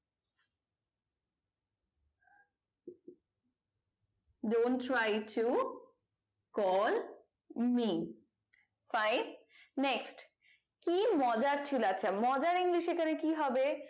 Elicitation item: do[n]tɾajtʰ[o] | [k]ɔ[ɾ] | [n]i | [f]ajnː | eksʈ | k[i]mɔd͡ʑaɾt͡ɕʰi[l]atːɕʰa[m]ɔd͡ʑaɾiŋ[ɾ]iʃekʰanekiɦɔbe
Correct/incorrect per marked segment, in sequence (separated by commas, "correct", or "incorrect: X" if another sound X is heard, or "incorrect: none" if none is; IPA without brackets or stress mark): correct, incorrect: u, correct, incorrect: l, incorrect: m, correct, correct, correct, correct, incorrect: l